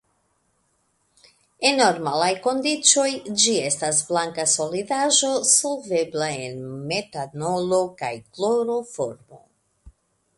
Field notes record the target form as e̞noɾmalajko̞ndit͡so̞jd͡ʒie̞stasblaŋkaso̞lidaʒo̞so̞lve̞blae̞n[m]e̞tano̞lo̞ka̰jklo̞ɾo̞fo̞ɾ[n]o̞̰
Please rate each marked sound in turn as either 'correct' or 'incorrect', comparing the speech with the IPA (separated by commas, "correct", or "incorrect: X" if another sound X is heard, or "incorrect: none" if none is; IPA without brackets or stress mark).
correct, incorrect: m